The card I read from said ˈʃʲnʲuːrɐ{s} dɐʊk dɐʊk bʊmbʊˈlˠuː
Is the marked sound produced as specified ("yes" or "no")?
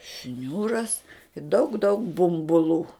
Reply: yes